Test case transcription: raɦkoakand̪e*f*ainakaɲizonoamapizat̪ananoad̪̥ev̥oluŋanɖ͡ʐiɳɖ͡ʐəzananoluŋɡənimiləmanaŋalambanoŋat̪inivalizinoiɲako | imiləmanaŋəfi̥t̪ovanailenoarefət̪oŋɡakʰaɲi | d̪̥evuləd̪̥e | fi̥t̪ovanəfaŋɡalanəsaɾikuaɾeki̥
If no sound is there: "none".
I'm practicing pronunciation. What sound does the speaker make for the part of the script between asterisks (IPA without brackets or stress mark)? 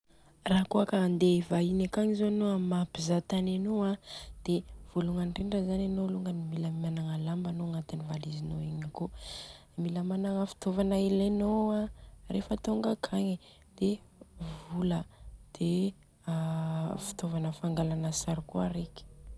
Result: v